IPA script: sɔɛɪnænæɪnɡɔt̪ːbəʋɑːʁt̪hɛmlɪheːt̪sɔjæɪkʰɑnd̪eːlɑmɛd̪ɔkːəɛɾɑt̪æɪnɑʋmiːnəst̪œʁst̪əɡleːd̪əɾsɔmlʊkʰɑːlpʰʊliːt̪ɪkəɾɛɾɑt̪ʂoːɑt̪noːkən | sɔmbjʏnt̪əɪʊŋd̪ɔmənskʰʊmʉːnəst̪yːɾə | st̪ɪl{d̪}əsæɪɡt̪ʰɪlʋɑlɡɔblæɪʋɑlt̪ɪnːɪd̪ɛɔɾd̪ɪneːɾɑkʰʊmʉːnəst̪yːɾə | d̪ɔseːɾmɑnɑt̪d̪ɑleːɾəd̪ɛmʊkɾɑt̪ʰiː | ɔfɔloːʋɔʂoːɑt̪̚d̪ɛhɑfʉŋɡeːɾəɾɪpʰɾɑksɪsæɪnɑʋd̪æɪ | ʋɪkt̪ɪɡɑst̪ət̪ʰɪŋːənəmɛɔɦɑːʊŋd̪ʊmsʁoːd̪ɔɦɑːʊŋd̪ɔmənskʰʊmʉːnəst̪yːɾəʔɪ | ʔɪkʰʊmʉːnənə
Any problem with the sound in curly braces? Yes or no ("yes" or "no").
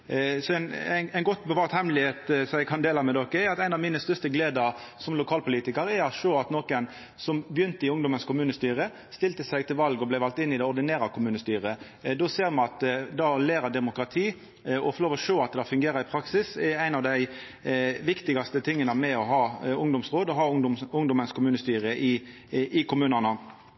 yes